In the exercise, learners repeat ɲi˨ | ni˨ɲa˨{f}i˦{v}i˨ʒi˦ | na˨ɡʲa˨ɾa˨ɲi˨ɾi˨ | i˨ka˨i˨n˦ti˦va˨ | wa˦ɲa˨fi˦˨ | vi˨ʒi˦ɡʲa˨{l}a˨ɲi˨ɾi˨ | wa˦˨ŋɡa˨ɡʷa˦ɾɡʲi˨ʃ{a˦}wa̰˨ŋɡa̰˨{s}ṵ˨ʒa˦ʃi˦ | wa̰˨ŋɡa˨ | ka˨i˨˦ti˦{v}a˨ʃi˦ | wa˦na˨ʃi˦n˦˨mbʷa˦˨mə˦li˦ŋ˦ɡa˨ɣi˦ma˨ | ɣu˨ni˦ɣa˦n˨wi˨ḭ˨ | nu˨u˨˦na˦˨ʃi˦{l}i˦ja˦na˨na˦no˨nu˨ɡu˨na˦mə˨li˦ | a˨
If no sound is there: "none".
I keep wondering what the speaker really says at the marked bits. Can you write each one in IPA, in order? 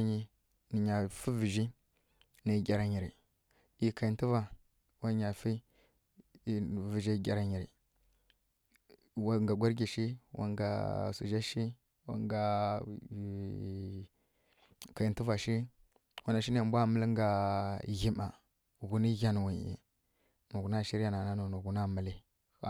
f, v, ɾ, i˦, s, v, ɾ

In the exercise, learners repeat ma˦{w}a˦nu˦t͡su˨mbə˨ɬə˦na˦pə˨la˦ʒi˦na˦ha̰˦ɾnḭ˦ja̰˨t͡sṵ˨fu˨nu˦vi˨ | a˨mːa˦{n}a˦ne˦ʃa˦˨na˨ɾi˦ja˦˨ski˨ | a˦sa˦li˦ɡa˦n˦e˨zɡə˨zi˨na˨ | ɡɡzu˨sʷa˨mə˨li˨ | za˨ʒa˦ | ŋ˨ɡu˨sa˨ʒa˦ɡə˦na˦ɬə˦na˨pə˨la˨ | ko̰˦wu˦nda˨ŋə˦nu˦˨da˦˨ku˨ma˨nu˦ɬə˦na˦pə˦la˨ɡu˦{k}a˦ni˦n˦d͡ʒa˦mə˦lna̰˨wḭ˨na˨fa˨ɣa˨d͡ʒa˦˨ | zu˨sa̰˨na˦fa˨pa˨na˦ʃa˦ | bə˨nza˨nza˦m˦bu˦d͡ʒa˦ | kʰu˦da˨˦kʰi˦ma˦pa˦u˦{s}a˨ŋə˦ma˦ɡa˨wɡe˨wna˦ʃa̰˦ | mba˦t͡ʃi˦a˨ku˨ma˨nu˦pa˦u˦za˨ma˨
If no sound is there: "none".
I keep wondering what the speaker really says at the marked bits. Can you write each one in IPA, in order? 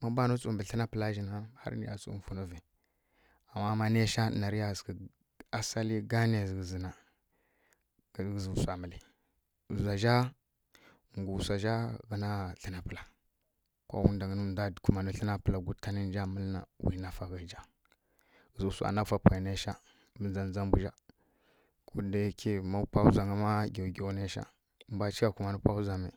b, m, t, z

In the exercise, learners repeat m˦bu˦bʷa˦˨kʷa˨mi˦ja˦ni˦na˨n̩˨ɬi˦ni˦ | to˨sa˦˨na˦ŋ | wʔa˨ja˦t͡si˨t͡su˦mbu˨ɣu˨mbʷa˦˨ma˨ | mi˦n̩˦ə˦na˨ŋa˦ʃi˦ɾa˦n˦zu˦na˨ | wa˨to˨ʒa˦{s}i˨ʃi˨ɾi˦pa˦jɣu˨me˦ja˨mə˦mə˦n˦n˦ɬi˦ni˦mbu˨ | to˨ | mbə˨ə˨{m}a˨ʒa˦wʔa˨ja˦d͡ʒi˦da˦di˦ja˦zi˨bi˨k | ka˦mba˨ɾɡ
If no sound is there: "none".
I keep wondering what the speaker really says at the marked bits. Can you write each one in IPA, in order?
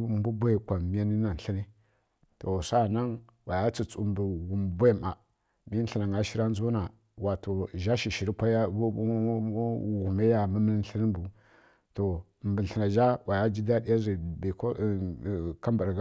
ʃ, n

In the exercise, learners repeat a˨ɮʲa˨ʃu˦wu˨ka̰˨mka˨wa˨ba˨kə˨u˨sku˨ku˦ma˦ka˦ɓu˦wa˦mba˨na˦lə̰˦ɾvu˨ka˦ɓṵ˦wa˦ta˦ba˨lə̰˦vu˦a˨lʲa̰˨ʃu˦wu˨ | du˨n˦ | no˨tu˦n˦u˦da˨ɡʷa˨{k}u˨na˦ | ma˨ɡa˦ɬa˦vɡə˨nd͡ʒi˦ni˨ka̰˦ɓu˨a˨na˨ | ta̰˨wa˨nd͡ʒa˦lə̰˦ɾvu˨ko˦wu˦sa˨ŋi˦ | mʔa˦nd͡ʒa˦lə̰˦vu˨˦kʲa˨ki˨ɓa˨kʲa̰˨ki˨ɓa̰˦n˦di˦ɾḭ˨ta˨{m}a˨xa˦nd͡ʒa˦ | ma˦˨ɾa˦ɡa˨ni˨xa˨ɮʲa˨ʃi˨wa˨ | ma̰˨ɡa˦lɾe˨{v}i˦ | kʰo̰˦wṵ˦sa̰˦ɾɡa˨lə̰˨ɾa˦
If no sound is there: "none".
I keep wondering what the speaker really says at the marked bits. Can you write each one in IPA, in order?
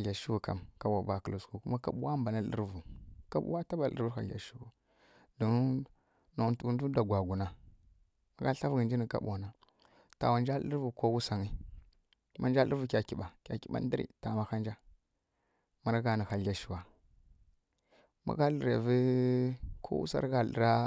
ɡ, m, v

